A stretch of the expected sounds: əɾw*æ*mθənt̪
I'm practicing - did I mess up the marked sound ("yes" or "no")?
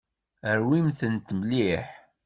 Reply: yes